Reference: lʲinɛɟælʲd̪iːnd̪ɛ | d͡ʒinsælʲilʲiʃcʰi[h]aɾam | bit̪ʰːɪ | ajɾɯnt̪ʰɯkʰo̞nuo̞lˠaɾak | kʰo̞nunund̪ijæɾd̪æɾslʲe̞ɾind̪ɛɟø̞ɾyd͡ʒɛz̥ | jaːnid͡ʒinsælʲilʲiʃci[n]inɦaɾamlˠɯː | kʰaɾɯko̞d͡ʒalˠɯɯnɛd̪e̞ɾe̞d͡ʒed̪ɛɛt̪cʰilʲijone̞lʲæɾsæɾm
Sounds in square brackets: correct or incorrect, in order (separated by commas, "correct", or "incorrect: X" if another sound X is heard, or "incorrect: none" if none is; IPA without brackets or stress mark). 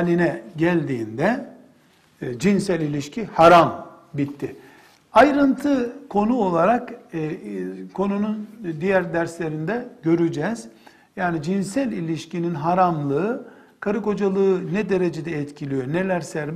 correct, correct